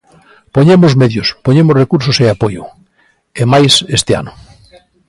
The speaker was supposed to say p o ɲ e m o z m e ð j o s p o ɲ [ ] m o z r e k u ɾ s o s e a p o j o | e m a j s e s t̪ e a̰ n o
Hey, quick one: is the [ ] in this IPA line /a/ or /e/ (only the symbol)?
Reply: e